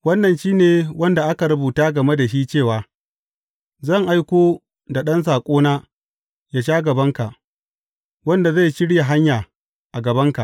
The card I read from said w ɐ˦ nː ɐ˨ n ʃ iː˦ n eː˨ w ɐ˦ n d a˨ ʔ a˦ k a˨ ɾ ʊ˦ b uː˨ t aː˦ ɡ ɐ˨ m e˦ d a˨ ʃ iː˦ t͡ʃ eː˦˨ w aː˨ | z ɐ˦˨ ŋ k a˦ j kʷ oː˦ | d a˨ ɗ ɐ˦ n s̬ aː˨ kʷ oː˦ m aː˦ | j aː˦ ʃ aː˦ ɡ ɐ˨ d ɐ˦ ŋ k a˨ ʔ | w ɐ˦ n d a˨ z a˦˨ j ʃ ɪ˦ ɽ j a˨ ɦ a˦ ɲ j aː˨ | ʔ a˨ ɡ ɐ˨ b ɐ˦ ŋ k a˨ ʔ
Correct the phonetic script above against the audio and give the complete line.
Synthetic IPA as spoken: w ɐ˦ nː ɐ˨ n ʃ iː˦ n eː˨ w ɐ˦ n d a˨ ʔ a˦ k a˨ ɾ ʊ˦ b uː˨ t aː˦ ɡ ɐ˨ m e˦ d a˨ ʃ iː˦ t͡ʃ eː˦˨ w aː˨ | z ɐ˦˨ ŋ ʔ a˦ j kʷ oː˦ | d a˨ ɗ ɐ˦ n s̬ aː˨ kʷʼ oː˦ n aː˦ | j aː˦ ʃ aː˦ ɡ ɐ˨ b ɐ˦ ŋ k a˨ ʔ | w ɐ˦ n d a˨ z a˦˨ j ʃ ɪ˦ ɽ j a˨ ɦ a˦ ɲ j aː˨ | ʔ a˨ ɡ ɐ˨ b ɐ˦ ŋ k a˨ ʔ